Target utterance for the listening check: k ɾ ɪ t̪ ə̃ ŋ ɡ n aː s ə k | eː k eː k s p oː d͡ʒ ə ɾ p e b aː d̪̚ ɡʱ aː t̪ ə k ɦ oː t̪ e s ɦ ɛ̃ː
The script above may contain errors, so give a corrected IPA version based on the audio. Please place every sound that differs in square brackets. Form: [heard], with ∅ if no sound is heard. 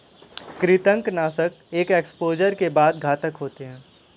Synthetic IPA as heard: k ɾ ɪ t̪ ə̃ ŋ [k] n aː s ə k | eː k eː k s p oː d͡ʒ ə ɾ [k] e b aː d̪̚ ɡʱ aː t̪ ə k ɦ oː t̪ e [∅] ɦ ɛ̃ː